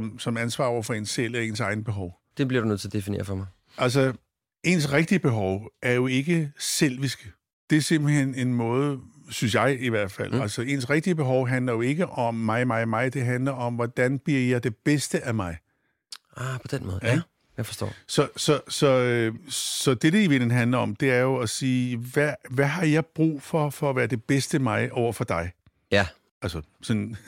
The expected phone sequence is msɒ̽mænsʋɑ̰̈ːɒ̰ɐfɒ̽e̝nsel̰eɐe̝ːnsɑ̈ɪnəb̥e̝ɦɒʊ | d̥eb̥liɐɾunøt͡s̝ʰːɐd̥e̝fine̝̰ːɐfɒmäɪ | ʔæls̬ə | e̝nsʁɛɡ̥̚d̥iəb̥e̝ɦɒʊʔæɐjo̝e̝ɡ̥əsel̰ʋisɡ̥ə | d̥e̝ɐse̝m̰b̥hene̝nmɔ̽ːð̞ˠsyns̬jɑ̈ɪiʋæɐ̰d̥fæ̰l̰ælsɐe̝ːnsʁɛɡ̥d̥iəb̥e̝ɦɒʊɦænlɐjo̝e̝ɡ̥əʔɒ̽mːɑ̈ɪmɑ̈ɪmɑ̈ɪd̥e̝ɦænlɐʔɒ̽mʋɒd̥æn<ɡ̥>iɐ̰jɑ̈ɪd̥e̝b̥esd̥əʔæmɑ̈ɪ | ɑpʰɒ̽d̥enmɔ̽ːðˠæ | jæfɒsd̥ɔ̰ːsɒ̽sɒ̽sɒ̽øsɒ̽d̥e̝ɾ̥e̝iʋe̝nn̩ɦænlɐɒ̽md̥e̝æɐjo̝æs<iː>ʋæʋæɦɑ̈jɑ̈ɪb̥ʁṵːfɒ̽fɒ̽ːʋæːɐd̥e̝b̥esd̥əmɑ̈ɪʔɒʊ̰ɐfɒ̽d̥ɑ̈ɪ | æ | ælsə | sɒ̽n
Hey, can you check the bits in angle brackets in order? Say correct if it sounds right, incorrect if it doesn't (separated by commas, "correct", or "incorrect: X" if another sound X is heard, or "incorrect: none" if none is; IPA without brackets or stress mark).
incorrect: b̥, correct